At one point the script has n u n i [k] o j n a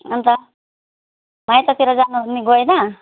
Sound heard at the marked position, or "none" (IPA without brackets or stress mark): ɡ